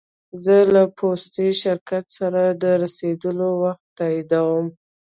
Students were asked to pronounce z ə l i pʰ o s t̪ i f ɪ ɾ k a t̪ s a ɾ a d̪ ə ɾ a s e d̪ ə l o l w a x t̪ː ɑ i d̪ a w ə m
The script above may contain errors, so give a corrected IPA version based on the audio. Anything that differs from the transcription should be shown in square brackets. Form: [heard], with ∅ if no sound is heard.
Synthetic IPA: z ə l [a] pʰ o s t̪ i [ʃ] ɪ ɾ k a t̪ s a ɾ a d̪ ə ɾ a s e d̪ ə l o [∅] w a x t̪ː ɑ i d̪ a w ə m